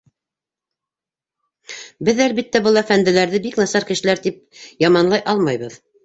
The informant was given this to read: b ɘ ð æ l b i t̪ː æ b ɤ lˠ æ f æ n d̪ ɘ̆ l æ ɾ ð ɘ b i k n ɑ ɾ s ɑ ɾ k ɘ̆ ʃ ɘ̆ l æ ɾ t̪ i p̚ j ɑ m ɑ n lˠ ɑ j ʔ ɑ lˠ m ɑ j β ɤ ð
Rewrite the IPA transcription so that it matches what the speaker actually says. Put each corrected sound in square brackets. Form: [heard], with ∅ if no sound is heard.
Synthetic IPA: b ɘ ð æ l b i t̪ː æ b ɤ lˠ æ f æ n d̪ ɘ̆ l æ ɾ ð ɘ b i k n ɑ [∅] s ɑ ɾ k ɘ̆ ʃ ɘ̆ l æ ɾ t̪ i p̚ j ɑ m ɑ n lˠ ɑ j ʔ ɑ lˠ m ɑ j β ɤ ð

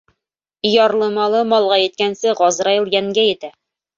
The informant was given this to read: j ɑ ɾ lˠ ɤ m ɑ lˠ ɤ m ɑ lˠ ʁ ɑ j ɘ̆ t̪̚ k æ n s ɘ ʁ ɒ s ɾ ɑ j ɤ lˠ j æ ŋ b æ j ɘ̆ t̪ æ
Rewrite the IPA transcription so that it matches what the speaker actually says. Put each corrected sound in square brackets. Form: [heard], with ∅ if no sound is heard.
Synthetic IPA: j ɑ ɾ lˠ ɤ m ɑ lˠ ɤ m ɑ lˠ ʁ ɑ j ɘ̆ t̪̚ k æ n s ɘ ʁ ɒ [z] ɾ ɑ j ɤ lˠ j æ ŋ [ɡ] æ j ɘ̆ t̪ æ

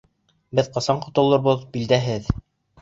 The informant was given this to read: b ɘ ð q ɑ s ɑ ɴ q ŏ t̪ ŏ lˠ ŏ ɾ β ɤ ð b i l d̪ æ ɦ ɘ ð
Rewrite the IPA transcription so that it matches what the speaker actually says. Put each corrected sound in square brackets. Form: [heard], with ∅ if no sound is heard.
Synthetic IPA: b ɘ ð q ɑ s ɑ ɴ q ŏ t̪ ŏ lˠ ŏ ɾ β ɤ ð b i l d̪ æ ɦ ɘ ð

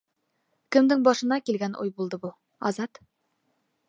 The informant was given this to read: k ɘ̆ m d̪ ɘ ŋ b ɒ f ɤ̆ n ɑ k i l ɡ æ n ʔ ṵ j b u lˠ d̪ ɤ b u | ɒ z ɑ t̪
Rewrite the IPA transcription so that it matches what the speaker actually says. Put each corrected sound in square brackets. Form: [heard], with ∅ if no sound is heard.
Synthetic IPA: k ɘ̆ m d̪ ɘ ŋ b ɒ [ʃ] ɤ̆ n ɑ k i l ɡ æ n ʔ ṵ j b u lˠ d̪ ɤ b u | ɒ z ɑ t̪

